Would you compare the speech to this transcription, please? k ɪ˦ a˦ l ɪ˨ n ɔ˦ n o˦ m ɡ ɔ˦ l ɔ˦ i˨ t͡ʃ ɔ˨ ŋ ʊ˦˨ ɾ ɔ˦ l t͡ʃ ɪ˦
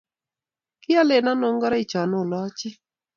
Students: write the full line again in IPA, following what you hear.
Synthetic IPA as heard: k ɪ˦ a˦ l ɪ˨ n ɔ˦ n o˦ ŋ ɡ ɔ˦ ɾ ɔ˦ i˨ t͡ʃ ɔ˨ n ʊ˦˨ l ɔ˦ t͡ʃ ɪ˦